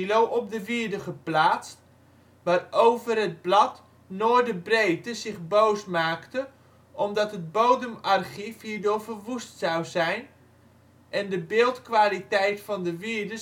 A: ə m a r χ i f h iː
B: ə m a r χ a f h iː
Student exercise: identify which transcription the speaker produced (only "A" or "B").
A